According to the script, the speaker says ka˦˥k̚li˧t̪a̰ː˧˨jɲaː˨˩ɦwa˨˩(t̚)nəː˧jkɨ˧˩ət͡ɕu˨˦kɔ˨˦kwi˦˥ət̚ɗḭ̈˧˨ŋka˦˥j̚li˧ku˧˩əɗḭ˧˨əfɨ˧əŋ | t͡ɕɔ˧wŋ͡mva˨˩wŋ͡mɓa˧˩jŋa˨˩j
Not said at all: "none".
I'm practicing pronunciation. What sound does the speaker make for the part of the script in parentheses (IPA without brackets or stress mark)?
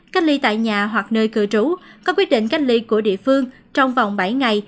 k̚